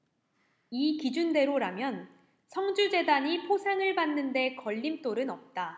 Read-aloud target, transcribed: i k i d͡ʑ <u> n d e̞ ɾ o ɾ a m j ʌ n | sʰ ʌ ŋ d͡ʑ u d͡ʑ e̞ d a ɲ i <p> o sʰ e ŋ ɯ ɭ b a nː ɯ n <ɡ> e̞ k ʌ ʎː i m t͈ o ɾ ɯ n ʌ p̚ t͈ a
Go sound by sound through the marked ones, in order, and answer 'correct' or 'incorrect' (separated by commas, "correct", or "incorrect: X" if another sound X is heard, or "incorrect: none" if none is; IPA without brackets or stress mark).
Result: correct, incorrect: pʰ, incorrect: d